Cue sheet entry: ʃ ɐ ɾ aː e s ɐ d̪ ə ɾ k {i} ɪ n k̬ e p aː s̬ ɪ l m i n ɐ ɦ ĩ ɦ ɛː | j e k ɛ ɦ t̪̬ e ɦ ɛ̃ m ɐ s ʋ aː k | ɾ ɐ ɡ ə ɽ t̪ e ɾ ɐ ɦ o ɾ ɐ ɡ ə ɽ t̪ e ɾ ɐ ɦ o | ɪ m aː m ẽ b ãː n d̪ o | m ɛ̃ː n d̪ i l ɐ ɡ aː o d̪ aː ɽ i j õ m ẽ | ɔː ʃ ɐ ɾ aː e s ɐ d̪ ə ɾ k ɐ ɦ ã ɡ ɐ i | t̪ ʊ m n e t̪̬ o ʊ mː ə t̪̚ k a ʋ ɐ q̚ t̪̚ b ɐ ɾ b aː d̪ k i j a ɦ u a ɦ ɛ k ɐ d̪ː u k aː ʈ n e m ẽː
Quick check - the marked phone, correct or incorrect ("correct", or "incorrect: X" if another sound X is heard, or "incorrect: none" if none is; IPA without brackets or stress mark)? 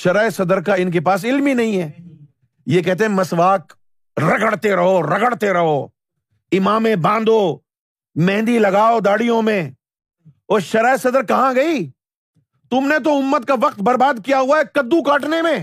incorrect: a